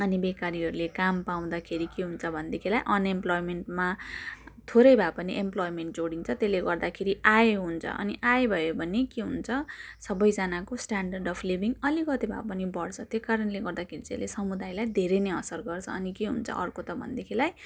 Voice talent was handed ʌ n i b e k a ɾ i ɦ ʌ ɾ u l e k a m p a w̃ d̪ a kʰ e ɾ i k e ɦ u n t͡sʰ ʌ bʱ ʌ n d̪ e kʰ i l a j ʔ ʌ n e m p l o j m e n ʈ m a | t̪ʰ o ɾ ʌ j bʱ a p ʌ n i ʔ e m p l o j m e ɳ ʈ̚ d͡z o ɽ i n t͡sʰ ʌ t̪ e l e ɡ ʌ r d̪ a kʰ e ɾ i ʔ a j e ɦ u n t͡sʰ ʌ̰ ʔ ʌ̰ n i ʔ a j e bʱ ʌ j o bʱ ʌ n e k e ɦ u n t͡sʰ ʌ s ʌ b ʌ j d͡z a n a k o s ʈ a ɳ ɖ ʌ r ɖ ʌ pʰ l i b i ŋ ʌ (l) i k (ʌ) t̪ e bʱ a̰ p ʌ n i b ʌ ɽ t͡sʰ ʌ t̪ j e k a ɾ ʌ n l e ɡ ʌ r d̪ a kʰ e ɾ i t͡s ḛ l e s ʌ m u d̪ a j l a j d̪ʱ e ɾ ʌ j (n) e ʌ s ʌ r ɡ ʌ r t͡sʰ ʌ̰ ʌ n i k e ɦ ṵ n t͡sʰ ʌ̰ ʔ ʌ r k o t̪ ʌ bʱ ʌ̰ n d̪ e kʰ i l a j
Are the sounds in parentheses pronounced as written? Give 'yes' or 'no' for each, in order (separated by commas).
yes, yes, yes